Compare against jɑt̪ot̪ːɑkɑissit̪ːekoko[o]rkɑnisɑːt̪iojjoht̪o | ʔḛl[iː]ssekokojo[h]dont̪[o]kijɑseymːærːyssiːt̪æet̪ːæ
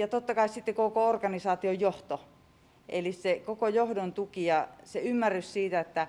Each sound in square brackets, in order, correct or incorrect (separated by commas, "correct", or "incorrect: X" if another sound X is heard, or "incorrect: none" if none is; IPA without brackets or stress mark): correct, incorrect: i, correct, incorrect: u